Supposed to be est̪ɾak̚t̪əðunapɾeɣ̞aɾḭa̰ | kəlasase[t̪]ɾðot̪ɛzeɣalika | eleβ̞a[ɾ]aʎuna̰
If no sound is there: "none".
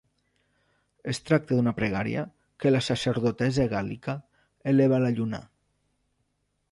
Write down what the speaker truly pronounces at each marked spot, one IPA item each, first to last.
none, l

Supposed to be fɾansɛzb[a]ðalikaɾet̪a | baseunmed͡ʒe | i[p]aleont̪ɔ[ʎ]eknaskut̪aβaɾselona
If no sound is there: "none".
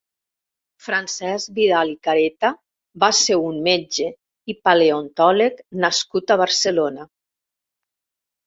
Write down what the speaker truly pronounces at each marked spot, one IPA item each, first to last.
i, p, l

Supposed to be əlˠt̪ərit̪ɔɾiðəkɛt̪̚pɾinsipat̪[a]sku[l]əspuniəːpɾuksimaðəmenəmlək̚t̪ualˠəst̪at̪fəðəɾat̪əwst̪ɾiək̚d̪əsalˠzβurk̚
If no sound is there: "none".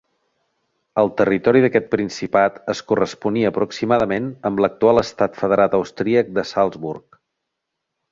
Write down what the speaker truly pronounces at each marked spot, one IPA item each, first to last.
ə, r

